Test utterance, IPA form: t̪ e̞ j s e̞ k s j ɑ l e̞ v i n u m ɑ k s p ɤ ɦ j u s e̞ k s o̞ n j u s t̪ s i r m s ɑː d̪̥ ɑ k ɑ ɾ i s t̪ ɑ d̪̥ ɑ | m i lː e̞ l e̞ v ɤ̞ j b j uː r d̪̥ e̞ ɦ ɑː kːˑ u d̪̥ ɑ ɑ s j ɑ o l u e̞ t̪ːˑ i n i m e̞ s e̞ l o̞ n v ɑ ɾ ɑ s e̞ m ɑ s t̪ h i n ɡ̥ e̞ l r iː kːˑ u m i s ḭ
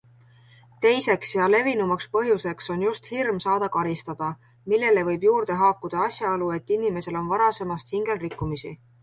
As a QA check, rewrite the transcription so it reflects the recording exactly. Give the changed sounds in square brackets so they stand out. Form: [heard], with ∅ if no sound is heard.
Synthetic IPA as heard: t̪ e̞ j s e̞ k s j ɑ l e̞ v i n u m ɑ k s p ɤ ɦ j u s e̞ k s o̞ n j u s t̪ [h] i r m s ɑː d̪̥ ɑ k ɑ ɾ i s t̪ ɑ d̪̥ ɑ | m i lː e̞ l e̞ v ɤ̞ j b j uː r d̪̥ e̞ ɦ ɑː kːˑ u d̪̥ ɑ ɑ s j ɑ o l u e̞ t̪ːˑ i n i m e̞ s e̞ l o̞ n v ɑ ɾ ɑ s e̞ m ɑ s t̪ h i [ŋ] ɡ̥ e̞ l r [i] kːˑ u m i s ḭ